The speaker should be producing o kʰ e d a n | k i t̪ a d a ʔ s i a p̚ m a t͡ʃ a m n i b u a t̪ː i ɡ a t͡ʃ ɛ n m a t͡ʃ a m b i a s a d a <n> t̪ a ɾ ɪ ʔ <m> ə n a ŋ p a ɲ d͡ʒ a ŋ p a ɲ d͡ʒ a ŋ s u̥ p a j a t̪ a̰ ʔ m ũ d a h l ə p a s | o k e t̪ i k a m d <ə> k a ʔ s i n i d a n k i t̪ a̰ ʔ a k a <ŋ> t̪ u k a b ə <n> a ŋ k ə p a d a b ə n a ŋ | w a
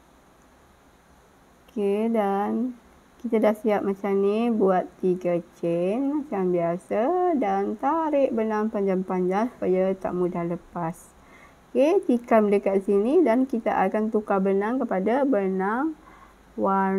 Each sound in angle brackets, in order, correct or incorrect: correct, incorrect, correct, incorrect, correct

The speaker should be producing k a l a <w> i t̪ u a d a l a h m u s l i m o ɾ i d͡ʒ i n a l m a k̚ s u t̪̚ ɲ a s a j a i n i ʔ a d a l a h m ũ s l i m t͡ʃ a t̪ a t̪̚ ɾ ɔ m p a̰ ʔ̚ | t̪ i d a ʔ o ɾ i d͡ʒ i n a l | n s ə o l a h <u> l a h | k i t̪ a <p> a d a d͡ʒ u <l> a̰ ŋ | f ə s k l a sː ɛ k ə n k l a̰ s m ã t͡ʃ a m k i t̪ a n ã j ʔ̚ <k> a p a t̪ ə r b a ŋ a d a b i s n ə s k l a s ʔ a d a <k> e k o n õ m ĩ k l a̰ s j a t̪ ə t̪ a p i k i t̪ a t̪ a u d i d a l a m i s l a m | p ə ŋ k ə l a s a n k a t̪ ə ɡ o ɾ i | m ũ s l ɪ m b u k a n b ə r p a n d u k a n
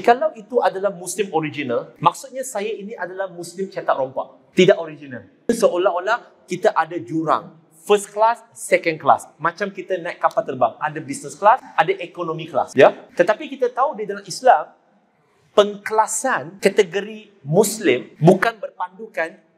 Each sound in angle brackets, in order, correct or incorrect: correct, incorrect, incorrect, incorrect, correct, incorrect

